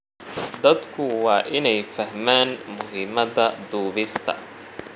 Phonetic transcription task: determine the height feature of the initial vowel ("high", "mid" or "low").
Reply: low